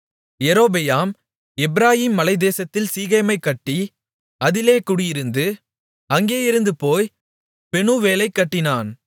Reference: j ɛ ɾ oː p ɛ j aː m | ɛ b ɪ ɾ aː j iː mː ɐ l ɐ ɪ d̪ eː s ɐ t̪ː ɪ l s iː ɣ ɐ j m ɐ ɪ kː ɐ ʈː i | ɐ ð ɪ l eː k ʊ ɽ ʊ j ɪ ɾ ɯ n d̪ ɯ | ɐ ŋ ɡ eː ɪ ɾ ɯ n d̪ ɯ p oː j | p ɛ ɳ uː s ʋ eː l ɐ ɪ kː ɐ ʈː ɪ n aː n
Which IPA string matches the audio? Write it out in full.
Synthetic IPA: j ɛ ɾ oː b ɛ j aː m | ɛ b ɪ ɾ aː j iː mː ɐ l ɐ ɪ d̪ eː s ɐ t̪ː ɪ l s iː ɣ ɐ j m ɐ ɪ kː ɐ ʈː i | ɐ ð ɪ l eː k ʊ ɽ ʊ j ɪ ɾ ɯ n d̪ ɯ | ɐ ŋ ɡ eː ɪ ɾ ɯ n d̪ ɯ p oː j | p ɛ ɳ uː ʋ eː l ɐ ɪ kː ɐ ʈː ɪ n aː n